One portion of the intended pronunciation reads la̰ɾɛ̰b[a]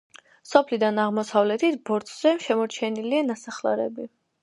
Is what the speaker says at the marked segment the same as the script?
no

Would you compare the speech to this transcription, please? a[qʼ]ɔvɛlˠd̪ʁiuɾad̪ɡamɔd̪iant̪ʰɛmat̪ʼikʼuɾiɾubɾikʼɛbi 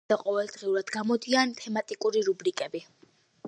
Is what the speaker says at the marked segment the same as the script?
yes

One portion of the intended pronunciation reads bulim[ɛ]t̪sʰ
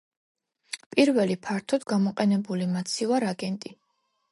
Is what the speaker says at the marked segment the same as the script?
no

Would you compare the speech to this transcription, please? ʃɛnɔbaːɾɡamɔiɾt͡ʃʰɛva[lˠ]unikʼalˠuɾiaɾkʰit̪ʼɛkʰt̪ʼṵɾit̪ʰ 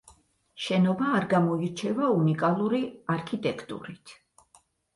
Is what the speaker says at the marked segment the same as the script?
no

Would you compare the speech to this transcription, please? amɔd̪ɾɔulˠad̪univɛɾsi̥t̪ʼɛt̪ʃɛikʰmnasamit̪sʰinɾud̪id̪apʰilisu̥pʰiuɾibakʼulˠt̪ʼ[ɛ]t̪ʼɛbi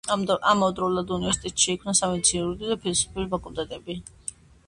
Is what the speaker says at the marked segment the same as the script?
yes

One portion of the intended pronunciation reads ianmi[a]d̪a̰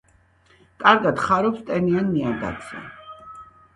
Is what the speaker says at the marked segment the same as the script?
yes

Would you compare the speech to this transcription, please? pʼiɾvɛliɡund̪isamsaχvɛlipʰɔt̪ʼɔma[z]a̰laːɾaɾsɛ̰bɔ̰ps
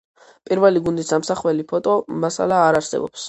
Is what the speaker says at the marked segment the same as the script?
no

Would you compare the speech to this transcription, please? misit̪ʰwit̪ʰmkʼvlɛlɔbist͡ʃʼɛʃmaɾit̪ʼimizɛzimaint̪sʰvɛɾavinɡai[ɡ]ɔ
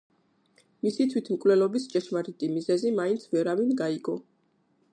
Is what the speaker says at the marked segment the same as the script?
yes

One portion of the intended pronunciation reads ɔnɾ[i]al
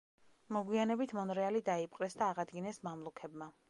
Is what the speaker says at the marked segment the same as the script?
no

